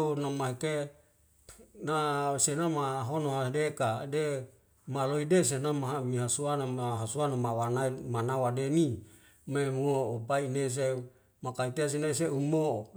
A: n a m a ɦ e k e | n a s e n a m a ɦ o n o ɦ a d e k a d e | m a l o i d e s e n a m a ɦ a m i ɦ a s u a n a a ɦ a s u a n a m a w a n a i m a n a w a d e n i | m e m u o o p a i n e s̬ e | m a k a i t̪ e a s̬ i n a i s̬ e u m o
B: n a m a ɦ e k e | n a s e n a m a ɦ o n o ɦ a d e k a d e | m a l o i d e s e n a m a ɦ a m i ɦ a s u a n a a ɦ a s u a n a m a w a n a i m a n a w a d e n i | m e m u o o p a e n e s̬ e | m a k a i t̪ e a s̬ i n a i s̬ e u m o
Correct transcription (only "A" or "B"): A